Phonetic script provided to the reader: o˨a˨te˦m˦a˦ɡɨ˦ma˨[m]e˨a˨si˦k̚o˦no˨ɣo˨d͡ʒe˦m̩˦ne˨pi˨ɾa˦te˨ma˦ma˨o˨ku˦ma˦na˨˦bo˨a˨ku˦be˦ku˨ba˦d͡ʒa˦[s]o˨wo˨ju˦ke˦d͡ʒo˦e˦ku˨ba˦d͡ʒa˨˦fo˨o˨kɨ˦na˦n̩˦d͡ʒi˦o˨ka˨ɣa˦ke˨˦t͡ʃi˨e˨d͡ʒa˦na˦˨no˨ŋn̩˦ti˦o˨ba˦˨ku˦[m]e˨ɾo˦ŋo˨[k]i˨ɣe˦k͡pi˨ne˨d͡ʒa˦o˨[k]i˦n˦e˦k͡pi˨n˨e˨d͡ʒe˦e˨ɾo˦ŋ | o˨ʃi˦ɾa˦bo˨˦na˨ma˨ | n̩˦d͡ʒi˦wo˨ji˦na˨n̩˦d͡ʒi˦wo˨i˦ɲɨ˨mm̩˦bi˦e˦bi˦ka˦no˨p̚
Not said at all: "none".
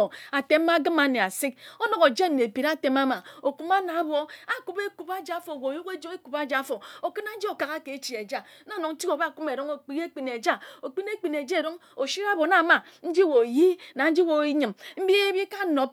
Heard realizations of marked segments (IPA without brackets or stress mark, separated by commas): n, f, m, k͡p, k͡p